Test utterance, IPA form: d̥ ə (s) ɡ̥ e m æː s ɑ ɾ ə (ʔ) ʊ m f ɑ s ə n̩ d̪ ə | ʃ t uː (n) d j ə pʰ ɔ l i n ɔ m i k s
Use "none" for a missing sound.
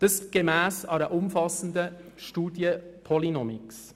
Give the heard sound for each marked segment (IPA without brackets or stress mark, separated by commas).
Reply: s, ʔ, none